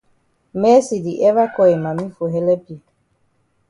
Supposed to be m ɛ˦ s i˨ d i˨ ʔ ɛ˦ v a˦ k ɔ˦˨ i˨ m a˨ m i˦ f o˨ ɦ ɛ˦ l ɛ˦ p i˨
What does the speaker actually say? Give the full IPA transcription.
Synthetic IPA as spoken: m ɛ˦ s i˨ d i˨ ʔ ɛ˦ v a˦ k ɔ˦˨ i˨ m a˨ m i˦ f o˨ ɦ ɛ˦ l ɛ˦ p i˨